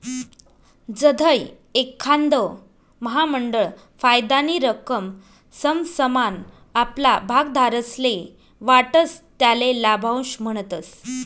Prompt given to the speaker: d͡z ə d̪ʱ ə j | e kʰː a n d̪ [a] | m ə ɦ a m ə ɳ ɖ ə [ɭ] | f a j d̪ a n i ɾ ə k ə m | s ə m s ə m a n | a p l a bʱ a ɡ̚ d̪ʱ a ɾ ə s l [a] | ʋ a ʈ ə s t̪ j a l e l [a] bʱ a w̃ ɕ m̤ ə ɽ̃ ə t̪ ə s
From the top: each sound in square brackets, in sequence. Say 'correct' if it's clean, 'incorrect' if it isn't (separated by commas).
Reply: incorrect, correct, incorrect, correct